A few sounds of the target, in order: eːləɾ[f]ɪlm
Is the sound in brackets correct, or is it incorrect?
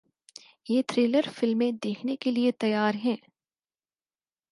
correct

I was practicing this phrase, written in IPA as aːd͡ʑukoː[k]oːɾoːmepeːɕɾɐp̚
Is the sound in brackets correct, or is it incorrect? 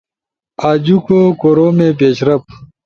correct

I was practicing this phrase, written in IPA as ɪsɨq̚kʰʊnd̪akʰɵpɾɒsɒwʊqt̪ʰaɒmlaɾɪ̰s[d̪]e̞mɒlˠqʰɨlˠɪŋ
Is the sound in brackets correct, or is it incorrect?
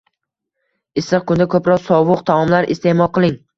incorrect: t̪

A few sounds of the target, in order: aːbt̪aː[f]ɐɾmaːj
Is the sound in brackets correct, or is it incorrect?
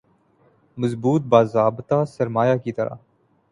incorrect: s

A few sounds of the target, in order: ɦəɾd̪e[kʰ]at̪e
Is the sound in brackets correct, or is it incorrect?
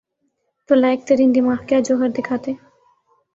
correct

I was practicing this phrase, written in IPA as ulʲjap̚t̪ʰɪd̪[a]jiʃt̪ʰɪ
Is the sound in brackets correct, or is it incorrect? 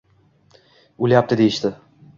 incorrect: e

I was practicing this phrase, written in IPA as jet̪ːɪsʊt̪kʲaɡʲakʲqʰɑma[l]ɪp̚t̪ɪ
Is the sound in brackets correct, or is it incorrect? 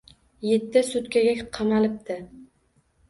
correct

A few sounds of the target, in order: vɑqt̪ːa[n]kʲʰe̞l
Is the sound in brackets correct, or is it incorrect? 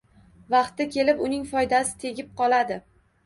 incorrect: none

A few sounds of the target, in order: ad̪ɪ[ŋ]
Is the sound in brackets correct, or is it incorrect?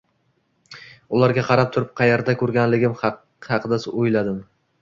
incorrect: m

